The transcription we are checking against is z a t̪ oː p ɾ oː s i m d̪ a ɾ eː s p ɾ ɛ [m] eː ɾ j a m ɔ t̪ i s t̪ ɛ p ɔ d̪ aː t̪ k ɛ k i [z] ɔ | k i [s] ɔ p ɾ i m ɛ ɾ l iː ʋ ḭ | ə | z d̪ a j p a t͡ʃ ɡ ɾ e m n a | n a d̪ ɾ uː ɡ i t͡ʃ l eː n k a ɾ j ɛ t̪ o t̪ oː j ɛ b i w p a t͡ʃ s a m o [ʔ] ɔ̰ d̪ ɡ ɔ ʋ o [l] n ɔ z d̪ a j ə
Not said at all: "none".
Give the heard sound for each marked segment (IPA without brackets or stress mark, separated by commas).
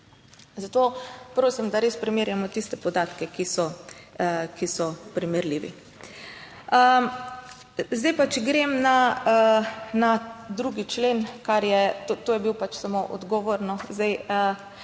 m, s, s, ʔ, ɾ